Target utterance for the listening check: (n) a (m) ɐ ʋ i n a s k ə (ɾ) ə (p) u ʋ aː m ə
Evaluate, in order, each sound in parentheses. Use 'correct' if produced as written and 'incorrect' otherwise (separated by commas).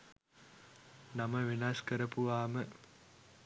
correct, correct, correct, correct